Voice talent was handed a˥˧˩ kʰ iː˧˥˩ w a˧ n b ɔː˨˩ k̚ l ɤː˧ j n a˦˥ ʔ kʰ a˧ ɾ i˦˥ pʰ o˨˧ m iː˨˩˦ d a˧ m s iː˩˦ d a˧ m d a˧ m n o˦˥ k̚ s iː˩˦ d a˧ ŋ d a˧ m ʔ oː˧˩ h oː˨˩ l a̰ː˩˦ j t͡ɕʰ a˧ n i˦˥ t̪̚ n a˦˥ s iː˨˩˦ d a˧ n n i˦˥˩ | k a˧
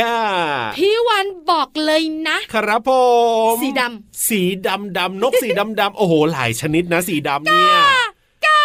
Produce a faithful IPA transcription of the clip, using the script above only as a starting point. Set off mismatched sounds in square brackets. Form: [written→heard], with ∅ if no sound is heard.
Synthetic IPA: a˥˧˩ [kʰ→pʰ] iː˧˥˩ w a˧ n b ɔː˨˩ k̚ l ɤː˧ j n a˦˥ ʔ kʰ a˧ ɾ [i˦˥→a˦˥] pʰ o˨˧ m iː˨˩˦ d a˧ m s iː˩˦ d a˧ m d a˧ m n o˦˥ k̚ s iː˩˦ d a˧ [ŋ→m] d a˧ m ʔ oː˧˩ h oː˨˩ l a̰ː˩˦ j t͡ɕʰ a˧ n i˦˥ t̪̚ n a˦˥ s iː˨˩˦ d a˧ [n→m] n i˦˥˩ | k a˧